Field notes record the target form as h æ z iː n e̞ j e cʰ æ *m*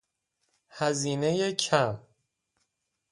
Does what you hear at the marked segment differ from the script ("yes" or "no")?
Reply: no